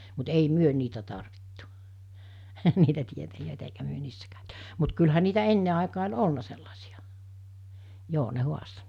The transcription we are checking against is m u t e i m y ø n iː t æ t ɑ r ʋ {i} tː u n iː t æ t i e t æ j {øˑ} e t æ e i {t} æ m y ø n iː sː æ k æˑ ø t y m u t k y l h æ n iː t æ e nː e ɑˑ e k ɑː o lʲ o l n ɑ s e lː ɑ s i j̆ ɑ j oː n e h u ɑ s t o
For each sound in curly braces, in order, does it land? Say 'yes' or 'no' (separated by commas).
yes, yes, no